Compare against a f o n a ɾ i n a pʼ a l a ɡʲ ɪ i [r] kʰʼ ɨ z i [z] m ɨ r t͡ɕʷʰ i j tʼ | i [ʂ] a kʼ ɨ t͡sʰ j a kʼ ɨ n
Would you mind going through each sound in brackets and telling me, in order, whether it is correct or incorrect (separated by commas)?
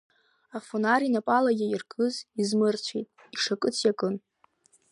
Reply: correct, correct, correct